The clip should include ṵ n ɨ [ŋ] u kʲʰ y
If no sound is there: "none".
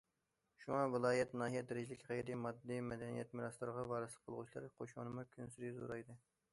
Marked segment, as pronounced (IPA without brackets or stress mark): m